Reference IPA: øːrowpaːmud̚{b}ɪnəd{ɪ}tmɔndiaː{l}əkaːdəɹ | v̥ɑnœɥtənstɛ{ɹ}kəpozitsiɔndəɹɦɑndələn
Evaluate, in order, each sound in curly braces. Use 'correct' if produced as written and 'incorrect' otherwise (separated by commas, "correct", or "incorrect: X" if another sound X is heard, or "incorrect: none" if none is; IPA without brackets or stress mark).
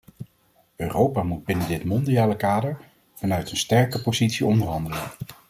correct, correct, correct, correct